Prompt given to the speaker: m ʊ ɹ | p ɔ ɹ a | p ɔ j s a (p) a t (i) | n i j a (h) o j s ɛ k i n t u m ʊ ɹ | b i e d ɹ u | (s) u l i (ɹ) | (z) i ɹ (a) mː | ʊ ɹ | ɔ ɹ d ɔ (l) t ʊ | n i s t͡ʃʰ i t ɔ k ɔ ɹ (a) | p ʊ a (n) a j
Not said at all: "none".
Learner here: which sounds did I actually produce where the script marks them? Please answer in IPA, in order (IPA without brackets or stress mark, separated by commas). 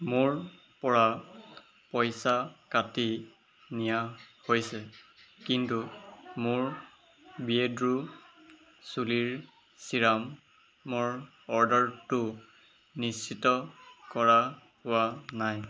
k, i, h, s, ɹ, s, a, ɹ, a, n